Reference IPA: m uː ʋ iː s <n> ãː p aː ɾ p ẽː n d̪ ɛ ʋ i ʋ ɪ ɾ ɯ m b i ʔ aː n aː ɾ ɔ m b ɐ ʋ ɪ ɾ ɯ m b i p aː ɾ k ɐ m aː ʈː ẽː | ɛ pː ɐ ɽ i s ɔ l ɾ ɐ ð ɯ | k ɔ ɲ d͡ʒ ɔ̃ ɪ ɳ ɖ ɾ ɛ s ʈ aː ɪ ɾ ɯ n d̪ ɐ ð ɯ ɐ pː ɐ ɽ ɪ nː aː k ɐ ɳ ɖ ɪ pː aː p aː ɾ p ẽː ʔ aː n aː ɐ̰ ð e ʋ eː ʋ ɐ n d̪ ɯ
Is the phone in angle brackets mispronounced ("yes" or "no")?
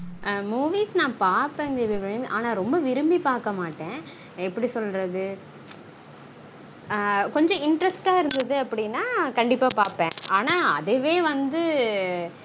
no